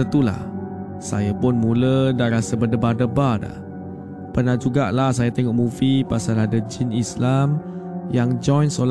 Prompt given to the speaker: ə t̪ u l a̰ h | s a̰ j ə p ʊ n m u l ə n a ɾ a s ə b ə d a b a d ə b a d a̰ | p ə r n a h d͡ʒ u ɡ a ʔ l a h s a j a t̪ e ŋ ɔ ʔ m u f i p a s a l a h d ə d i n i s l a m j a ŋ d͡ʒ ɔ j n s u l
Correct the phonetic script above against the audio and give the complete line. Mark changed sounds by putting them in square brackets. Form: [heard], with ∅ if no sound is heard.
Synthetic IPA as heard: ə t̪ u l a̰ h | s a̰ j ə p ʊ n m u l ə [d] a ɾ a s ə b ə d [ə] b a d ə b a d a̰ | p ə r n a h d͡ʒ u ɡ a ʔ l a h s a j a t̪ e ŋ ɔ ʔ m u f i p a s a l a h d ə [d͡ʒ] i n i s l a m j a ŋ d͡ʒ ɔ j n s [o] l